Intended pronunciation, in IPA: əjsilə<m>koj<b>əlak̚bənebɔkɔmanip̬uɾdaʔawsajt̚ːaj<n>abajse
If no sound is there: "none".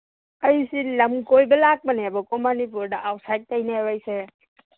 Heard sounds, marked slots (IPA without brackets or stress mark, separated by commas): m, b, n